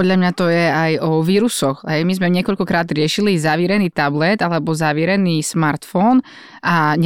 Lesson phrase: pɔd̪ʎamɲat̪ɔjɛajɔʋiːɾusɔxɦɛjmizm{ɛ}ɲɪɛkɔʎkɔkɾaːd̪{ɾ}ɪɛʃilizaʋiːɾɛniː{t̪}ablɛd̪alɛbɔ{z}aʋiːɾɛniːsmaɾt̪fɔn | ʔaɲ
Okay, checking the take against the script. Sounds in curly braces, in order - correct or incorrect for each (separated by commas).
correct, correct, correct, correct